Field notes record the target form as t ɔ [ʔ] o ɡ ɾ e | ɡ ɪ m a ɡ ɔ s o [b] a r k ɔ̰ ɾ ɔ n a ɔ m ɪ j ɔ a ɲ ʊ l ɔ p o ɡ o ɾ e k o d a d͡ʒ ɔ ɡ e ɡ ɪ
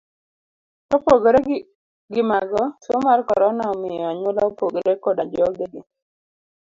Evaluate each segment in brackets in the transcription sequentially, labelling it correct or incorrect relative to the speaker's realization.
incorrect: p, incorrect: m

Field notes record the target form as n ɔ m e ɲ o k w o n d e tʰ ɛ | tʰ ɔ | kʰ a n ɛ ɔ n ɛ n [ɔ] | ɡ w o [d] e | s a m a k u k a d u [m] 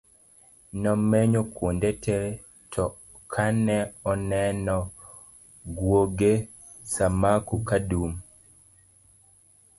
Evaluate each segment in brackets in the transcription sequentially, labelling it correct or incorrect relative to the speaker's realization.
correct, incorrect: ɡ, correct

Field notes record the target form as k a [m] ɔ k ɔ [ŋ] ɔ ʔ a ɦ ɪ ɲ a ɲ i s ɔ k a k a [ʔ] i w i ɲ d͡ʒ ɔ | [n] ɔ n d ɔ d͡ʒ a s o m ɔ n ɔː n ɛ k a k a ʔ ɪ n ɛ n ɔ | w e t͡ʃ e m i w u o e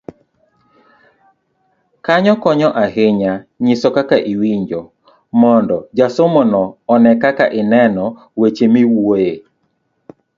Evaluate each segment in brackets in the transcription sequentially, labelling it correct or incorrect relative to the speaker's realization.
incorrect: ɲ, incorrect: ɲ, correct, incorrect: m

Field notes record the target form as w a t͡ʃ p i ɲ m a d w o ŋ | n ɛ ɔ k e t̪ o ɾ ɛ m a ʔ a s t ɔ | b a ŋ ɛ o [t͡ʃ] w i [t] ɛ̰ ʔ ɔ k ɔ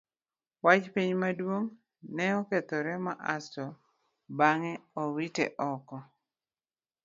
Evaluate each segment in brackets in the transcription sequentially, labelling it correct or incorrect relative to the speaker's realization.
incorrect: none, correct

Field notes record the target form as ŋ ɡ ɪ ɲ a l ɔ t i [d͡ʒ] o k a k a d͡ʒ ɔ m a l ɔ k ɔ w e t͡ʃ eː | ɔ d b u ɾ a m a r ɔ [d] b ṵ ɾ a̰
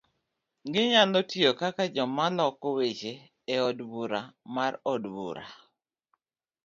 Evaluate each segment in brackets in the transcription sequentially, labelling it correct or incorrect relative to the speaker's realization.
incorrect: none, correct

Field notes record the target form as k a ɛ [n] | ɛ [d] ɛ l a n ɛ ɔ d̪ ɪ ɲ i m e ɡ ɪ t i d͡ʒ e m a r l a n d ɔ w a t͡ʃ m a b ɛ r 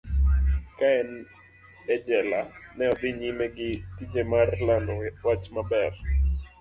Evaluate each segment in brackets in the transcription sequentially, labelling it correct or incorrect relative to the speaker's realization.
correct, incorrect: d͡ʒ

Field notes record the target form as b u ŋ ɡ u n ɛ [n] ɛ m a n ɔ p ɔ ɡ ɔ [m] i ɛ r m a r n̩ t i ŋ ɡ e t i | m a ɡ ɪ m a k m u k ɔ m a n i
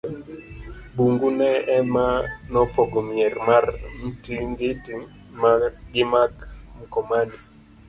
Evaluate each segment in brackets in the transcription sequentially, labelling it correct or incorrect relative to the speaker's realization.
incorrect: none, correct

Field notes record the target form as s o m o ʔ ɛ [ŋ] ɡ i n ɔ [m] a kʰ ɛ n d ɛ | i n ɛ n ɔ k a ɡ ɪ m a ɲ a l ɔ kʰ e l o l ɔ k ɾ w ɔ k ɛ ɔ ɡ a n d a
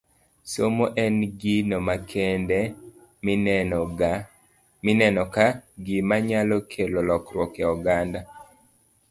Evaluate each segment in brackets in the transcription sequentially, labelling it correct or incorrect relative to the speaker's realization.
incorrect: n, correct

